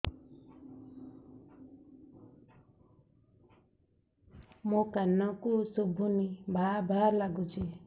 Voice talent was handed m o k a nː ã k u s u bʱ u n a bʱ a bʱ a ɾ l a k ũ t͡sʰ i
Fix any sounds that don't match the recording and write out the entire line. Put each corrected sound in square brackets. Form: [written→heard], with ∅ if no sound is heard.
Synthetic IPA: m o k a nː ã k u s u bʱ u n [a→i] bʱ a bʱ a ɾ l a [k→ɡ] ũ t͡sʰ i